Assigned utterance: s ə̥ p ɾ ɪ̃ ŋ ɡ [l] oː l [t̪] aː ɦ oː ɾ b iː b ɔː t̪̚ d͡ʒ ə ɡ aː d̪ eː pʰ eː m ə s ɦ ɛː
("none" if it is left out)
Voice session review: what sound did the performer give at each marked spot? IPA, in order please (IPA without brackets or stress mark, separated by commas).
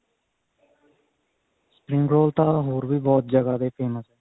ɾ, t̪